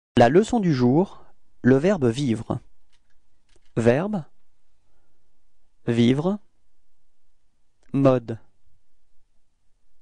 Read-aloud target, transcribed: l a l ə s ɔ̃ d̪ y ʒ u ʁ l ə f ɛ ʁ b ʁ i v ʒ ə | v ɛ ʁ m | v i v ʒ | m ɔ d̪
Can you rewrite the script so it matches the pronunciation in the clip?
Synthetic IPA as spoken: l a l ə s ɔ̃ d̪ y ʒ u ʁ l ə v ɛ ʁ b v i v ʁ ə | v ɛ ʁ b | v i v ʁ | m ɔ d̪